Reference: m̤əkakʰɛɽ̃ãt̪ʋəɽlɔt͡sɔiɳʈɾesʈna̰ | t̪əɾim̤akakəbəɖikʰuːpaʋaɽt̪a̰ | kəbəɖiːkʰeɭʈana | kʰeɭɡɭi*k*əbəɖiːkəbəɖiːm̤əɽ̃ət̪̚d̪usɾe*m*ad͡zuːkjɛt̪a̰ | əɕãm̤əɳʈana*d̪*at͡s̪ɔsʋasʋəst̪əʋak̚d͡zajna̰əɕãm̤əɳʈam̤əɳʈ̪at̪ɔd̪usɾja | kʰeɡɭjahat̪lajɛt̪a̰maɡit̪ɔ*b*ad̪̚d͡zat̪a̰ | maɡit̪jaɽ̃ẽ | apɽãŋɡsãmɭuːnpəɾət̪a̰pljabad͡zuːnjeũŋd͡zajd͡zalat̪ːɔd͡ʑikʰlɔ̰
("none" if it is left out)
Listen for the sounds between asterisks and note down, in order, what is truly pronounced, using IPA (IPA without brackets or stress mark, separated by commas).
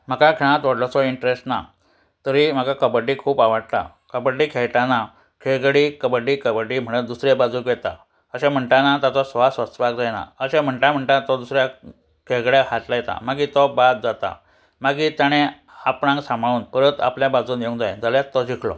k, b, t̪, b